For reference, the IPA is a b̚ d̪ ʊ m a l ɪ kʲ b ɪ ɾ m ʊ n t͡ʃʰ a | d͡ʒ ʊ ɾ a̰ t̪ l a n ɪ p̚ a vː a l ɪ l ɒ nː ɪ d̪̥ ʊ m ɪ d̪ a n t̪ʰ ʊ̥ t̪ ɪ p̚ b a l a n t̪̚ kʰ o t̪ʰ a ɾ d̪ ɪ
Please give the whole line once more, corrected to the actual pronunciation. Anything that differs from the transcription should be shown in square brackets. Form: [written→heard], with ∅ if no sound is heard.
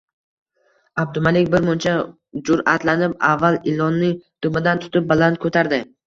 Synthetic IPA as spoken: a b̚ d̪ ʊ m a l ɪ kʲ b ɪ ɾ m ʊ n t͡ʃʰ a | d͡ʒ ʊ ɾ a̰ t̪ l a n ɪ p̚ a vː a l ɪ l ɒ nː ɪ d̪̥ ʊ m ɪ d̪ a n t̪ʰ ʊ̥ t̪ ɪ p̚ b a l a n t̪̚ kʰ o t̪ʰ a ɾ d̪ ɪ